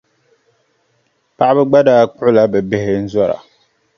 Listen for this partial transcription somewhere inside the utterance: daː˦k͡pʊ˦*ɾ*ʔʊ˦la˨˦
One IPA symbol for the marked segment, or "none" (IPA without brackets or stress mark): none